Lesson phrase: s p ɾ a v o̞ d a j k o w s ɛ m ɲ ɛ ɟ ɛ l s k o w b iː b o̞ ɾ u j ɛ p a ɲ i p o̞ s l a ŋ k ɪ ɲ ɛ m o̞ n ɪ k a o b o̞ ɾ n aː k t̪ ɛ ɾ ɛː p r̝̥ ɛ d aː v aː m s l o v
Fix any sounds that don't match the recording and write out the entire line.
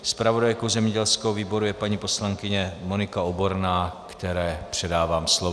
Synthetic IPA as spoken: s p ɾ a v o̞ d a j k o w z ɛ m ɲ ɛ ɟ ɛ l s k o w v iː b o̞ ɾ u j ɛ p a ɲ i p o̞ s l a ŋ k ɪ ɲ ɛ m o̞ n ɪ k a o b o̞ ɾ n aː k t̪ ɛ ɾ ɛː p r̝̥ ɛ d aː v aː m s l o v